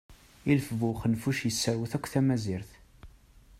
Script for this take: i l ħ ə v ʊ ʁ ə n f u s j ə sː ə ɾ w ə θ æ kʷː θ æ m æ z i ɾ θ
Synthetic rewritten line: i l f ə v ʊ χ ə n f u ʃ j ə sː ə ɾ w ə θ æ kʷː θ æ m æ z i ɾ θ